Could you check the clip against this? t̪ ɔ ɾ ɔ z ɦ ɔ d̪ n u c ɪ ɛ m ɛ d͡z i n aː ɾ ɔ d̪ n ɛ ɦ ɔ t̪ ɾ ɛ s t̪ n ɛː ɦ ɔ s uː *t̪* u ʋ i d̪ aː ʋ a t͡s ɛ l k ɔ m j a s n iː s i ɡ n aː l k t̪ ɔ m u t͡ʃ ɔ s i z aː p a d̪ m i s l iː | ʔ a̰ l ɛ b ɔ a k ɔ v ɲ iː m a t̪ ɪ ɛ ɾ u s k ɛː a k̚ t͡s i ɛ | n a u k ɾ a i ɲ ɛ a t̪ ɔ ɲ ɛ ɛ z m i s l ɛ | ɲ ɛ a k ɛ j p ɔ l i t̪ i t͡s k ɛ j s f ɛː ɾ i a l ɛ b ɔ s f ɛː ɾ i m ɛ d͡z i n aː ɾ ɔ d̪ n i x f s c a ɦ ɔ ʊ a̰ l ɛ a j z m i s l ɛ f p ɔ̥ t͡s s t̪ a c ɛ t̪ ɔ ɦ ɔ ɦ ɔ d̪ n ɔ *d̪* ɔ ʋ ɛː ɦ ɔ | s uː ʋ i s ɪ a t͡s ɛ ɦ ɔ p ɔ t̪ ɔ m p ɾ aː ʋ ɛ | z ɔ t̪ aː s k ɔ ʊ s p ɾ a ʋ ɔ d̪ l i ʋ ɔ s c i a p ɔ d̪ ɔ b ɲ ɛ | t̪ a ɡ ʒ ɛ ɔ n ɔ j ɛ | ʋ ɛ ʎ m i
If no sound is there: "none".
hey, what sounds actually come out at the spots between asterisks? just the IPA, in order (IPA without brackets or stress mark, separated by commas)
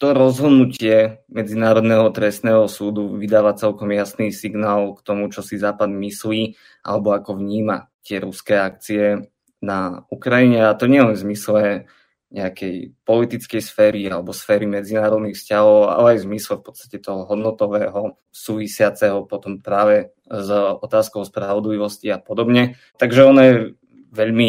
d̪, t̪